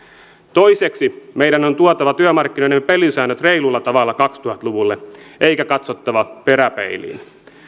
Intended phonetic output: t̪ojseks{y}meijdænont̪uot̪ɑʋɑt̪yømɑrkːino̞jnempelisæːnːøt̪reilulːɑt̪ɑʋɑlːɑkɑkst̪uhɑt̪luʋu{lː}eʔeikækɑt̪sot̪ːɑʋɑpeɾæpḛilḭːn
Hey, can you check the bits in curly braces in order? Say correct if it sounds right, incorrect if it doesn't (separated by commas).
incorrect, correct